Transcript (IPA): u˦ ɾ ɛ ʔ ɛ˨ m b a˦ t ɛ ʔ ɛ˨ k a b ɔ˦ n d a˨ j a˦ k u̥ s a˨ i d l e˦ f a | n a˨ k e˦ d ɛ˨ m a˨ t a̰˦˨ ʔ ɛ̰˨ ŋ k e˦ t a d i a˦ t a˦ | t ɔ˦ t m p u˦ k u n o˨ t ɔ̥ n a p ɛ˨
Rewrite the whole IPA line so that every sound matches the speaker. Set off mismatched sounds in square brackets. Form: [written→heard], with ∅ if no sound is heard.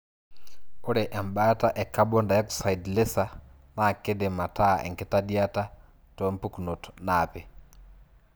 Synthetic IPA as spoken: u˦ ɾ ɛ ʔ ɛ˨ m b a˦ t [ɛ→a] ʔ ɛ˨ k a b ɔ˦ n d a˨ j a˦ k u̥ s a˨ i d l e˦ [f→s] a | n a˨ k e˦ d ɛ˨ m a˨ t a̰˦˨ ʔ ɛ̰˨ ŋ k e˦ t a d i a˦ t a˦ | t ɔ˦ [t→∅] m p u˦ k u n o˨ t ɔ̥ n a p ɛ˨